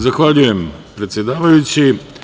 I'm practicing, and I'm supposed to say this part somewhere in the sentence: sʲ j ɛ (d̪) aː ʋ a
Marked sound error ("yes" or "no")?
no